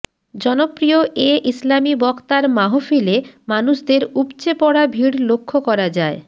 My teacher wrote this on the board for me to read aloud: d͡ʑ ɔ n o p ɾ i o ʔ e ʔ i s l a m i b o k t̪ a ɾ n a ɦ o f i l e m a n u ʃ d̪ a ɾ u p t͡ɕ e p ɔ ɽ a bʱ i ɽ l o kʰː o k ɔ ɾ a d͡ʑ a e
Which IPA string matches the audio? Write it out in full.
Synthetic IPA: d͡ʑ ɔ n o p ɾ i o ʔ e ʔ i s l a m i b ɔ k t̪ a ɾ m a ɦ o f i l e m a n u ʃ d̪ e ɾ u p t͡ɕ e p ɔ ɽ a bʱ i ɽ l o kʰː o k ɔ ɾ a d͡ʑ a e